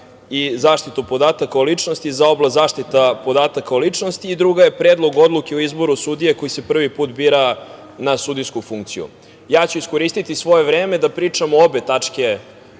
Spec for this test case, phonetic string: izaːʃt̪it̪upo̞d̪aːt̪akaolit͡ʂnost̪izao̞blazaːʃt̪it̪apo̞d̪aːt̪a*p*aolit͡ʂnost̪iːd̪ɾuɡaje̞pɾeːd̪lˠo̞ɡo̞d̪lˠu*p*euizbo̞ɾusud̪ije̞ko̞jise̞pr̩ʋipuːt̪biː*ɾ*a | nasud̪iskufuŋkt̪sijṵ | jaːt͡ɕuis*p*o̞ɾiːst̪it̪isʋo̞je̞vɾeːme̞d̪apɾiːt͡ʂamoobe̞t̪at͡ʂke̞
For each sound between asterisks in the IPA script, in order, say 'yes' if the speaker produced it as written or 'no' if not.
no, no, yes, no

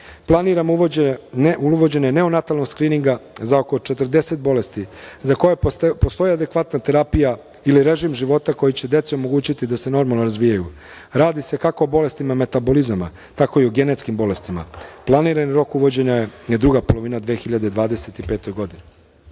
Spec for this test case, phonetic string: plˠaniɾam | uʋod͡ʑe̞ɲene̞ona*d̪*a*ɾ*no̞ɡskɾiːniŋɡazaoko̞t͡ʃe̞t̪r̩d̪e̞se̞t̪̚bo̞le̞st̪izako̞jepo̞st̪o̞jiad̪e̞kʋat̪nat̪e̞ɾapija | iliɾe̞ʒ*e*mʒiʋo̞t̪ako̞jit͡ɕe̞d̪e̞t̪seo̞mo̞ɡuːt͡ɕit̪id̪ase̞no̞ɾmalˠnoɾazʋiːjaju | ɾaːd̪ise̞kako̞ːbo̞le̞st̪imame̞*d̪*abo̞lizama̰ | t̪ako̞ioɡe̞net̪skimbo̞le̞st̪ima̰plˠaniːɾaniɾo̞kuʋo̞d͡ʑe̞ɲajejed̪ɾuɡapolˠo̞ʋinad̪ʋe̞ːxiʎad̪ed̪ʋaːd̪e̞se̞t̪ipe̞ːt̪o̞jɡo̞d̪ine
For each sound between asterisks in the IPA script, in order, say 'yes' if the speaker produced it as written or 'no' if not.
no, no, no, no

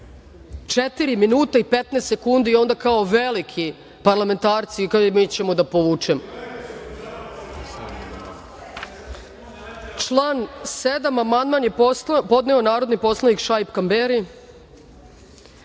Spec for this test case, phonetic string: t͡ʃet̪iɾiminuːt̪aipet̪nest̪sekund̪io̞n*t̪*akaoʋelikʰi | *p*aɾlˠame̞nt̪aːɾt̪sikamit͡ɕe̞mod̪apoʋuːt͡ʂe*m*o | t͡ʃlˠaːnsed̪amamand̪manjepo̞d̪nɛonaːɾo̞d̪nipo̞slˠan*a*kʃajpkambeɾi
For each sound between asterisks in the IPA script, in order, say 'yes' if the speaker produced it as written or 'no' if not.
no, yes, yes, no

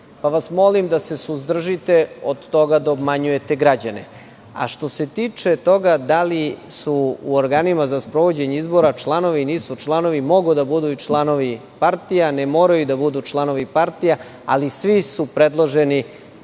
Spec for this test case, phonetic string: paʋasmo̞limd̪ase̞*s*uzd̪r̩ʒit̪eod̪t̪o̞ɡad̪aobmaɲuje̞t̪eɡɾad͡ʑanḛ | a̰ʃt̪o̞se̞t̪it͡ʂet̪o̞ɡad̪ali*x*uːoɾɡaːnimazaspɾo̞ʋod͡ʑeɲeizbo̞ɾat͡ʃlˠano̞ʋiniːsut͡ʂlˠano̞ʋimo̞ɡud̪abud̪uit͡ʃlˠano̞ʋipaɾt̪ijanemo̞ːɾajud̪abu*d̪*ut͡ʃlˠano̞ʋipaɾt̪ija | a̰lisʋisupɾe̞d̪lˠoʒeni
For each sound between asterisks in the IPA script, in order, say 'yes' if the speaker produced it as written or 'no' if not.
yes, no, yes

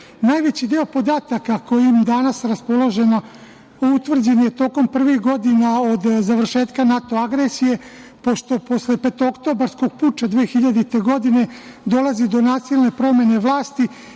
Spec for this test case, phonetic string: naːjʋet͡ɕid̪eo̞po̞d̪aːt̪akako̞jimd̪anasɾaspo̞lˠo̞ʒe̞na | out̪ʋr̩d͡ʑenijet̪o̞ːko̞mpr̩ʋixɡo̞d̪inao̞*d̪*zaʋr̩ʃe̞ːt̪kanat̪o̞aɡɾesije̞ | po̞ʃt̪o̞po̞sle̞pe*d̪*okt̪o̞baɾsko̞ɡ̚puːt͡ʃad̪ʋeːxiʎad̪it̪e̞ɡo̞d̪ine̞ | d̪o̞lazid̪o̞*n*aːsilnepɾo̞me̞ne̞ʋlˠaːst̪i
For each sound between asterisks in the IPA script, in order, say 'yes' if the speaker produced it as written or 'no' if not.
yes, no, yes

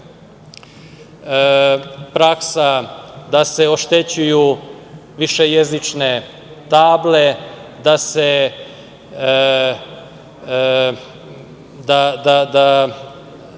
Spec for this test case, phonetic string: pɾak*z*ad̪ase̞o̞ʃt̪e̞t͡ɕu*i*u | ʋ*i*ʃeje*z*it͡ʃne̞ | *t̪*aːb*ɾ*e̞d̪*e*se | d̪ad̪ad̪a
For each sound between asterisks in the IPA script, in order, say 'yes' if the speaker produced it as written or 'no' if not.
no, no, yes, yes, yes, no, no

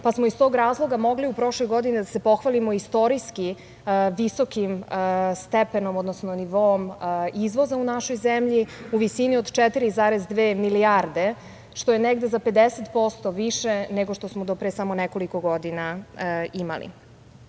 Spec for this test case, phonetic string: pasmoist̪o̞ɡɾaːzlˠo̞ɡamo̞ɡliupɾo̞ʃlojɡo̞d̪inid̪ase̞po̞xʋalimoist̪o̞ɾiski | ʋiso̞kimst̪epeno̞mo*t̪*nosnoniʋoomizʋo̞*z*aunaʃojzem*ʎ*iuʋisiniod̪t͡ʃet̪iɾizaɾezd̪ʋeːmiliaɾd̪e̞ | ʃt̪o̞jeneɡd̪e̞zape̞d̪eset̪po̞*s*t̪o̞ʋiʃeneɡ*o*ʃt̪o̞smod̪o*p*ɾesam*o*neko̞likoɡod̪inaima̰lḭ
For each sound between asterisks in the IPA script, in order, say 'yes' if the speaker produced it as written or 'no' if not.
no, yes, yes, yes, yes, yes, yes

